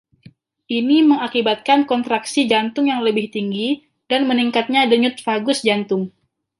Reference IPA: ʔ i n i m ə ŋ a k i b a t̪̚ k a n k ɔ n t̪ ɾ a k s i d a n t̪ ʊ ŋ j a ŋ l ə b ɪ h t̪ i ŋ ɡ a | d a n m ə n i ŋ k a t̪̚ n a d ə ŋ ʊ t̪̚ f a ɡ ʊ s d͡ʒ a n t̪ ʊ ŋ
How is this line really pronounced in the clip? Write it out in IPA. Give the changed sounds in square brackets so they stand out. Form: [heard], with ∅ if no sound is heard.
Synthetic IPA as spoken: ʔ i n i m ə ŋ a k i b a t̪̚ k a n k ɔ n t̪ ɾ a k s i [d͡ʒ] a n t̪ ʊ ŋ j a ŋ l ə b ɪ h t̪ i ŋ ɡ [i] | d a n m ə n i ŋ k a t̪̚ [ɲ] a d ə [ɲ] ʊ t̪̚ f a ɡ ʊ s d͡ʒ a n t̪ ʊ ŋ